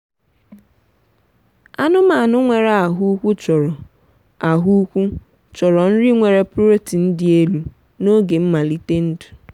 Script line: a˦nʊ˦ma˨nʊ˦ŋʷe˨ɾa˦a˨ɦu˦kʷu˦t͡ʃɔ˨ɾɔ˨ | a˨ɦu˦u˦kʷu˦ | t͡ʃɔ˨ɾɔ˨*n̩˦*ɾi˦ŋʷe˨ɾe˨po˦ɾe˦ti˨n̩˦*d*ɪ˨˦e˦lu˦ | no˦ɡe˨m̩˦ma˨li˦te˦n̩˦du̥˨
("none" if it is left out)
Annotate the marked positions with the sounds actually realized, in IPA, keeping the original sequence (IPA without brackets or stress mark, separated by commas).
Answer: n̩˦, d